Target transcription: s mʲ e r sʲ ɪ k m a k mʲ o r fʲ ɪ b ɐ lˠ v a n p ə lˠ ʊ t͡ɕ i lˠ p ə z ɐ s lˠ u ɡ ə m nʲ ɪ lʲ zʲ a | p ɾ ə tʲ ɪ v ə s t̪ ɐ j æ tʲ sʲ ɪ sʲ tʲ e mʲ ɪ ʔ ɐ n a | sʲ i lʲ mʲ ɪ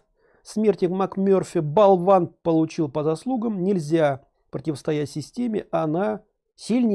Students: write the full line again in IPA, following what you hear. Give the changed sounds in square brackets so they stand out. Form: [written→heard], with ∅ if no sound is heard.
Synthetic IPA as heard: s mʲ e r [sʲ→tʲ] ɪ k m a k mʲ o r fʲ ɪ b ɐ lˠ v a n p ə lˠ ʊ t͡ɕ i lˠ p ə z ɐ s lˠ u ɡ ə m nʲ ɪ lʲ zʲ a | p ɾ ə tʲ ɪ v ə s t̪ ɐ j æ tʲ sʲ ɪ sʲ tʲ e mʲ ɪ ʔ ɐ n a | sʲ i lʲ [mʲ→nʲ] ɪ